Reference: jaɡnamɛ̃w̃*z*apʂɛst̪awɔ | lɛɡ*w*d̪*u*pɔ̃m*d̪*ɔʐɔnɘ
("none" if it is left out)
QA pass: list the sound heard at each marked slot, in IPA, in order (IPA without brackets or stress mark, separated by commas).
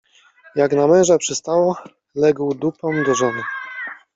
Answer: ʐ, w, u, d̪